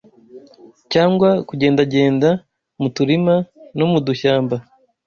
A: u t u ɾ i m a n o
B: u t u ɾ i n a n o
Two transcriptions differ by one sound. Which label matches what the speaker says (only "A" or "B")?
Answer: A